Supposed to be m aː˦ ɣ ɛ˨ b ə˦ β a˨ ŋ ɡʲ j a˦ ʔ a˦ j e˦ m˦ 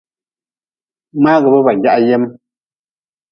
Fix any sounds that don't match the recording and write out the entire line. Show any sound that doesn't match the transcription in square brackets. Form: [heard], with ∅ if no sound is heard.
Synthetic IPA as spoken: m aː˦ ɣ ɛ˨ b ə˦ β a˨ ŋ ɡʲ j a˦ ʔ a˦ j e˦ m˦